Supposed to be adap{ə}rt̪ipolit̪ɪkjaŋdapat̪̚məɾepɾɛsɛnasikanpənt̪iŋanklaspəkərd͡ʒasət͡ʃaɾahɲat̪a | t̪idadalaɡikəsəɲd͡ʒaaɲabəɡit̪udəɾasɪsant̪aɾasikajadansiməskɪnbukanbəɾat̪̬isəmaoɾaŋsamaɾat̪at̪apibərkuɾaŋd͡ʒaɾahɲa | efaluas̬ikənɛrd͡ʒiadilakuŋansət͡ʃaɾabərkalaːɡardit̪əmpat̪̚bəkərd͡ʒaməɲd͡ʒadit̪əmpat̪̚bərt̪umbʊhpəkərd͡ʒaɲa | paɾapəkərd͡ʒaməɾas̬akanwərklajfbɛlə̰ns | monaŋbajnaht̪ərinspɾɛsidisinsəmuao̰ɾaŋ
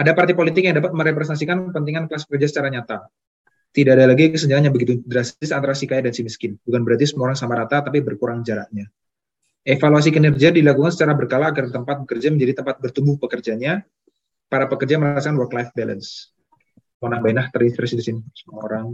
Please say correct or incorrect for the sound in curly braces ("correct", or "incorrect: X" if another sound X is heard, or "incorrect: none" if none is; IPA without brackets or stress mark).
incorrect: a